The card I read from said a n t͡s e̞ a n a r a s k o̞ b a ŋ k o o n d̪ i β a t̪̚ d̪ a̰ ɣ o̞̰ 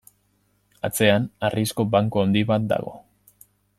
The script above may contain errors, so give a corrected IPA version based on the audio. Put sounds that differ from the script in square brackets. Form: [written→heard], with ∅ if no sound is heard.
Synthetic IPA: a [n→∅] t͡s e̞ a n a r [a→i] s k o̞ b a ŋ k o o n d̪ i β a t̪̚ d̪ a̰ ɣ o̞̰